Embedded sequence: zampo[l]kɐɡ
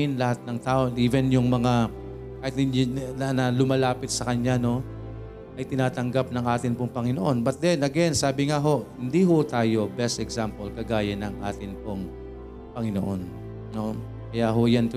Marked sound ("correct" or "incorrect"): correct